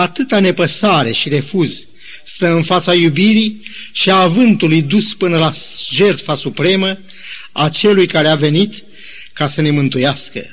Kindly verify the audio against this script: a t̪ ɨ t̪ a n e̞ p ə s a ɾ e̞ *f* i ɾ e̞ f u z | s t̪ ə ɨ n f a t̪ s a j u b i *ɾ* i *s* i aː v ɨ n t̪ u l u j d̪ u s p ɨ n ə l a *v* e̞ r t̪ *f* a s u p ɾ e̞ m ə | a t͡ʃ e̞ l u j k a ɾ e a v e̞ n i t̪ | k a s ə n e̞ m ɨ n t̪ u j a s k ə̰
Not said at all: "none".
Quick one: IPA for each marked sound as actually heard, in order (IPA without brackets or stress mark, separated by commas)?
ʃ, ɾ, ʃ, ʒ, f